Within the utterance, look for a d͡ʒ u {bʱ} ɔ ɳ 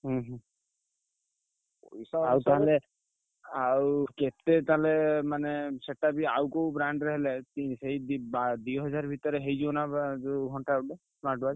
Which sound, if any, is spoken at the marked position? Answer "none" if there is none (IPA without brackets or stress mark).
ɡʱ